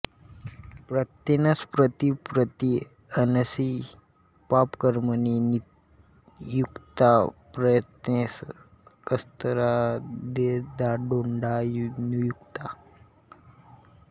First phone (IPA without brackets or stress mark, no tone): p